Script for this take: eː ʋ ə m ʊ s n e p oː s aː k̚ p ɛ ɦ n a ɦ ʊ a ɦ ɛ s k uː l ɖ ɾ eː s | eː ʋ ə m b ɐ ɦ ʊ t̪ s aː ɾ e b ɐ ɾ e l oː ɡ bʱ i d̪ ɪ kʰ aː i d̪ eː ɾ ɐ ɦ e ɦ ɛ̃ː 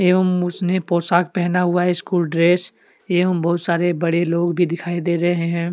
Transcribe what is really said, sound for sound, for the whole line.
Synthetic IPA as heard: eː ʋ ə m ʊ s n e p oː s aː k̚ p ɛ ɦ n a ɦ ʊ a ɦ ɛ s k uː l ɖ ɾ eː s | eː ʋ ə m b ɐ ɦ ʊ t̪ s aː ɾ e b ɐ ɽ e l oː ɡ bʱ i d̪ ɪ kʰ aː i d̪ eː ɾ ɐ ɦ e ɦ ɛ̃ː